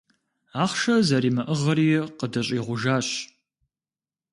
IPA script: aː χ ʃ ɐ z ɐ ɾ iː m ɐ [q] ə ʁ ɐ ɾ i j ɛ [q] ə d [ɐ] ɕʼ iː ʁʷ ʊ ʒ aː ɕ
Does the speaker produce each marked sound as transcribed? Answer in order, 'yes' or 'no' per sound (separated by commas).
no, yes, yes